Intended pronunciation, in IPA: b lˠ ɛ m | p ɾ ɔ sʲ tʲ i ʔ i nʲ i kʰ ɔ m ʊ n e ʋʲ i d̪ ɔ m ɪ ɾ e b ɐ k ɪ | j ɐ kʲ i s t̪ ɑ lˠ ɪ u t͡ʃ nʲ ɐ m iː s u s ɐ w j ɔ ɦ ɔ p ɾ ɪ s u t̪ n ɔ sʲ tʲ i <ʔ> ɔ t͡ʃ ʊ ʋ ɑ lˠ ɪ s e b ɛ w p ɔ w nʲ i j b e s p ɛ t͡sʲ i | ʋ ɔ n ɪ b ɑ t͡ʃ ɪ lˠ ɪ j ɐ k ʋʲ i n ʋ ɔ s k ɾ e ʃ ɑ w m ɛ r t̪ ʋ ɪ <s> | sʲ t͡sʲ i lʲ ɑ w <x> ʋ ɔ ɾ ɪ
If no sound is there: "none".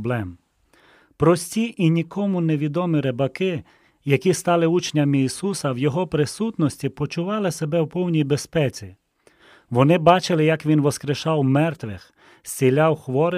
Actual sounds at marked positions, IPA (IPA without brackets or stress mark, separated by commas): p, x, x